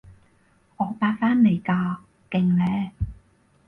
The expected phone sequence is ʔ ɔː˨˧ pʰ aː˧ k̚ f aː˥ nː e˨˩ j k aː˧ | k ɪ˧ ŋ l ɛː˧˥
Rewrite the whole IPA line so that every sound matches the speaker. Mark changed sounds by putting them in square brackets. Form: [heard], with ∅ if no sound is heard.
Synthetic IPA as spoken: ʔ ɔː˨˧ [p] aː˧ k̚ f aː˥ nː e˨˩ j k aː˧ | k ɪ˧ ŋ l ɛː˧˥